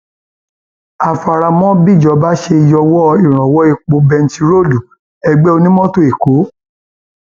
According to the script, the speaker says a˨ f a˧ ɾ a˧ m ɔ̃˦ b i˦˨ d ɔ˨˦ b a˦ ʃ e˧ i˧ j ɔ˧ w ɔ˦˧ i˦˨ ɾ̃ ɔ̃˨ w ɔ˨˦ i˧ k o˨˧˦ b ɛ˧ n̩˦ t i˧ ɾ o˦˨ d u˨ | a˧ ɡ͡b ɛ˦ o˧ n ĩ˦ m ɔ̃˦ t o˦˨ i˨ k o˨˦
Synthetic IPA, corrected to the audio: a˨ f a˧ ɾ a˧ m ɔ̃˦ b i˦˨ d͡ʒ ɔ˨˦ b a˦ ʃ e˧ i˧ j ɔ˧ w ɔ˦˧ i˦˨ ɾ̃ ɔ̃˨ w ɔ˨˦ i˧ k͡p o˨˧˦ b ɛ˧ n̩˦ t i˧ ɾ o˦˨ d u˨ | ɛ˧ ɡ͡b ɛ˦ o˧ n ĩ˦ m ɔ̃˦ t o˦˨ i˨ k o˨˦